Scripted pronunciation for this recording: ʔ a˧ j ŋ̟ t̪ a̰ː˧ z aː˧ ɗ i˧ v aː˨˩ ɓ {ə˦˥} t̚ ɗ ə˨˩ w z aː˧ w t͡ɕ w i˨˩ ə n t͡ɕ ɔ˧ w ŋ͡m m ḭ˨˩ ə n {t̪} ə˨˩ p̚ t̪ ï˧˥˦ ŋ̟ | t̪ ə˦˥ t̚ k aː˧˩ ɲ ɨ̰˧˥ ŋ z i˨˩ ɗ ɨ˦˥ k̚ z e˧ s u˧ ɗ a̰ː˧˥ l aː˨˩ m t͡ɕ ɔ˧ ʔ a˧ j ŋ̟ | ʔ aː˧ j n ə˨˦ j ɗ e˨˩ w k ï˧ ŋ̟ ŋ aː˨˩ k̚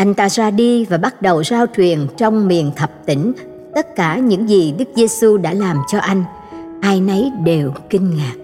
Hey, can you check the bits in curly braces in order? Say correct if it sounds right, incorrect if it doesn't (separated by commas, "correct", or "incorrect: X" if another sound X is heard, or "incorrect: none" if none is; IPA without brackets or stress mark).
incorrect: a˦˥, incorrect: t̪ʰ